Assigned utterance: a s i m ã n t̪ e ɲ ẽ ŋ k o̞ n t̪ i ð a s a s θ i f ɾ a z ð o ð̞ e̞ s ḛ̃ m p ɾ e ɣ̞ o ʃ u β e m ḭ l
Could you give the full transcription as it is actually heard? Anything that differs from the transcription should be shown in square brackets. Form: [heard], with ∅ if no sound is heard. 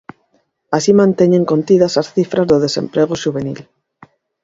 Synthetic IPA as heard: a s i m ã n t̪ e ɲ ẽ ŋ k o̞ n t̪ i ð a s a s θ i f ɾ a z ð o ð̞ e̞ s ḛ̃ m p ɾ e ɣ̞ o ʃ u β e [n] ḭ l